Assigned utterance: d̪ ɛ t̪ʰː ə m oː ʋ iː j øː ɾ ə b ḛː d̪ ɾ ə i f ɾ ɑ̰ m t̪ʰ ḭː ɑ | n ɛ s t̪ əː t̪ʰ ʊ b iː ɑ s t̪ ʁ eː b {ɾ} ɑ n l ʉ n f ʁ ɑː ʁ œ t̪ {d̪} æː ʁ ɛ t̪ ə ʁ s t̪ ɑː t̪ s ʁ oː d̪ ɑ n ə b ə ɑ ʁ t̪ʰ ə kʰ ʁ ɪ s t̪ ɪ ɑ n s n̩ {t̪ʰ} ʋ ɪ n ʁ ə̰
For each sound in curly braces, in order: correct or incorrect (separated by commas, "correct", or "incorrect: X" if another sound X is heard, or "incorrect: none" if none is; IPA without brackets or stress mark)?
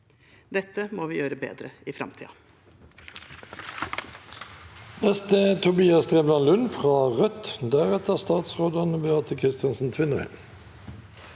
incorrect: l, correct, correct